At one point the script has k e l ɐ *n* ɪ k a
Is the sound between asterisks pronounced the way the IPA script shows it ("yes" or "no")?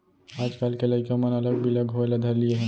no